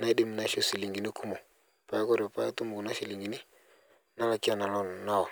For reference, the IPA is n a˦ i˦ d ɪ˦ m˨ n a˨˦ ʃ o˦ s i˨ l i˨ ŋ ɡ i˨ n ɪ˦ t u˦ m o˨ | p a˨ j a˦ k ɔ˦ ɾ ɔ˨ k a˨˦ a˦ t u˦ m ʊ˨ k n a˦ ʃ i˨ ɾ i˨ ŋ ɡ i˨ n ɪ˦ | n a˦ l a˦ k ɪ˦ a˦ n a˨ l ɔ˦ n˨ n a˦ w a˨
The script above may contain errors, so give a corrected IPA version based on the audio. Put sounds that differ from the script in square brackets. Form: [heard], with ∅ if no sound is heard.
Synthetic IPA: n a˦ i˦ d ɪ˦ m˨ n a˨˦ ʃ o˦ s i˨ l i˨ ŋ ɡ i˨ n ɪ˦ [k] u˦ m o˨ | p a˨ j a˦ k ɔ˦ ɾ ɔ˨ [p] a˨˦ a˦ t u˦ m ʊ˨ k n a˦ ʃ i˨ [l] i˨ ŋ ɡ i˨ n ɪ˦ | n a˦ l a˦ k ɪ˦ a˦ n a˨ l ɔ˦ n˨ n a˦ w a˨